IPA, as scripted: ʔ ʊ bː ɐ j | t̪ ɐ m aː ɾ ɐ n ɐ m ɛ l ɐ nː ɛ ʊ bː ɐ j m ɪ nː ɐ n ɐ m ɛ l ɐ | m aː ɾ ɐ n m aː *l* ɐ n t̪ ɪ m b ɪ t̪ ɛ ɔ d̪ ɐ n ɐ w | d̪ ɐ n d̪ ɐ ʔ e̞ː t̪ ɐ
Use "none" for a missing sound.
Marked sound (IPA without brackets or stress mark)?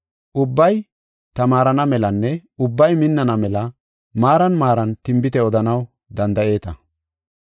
ɾ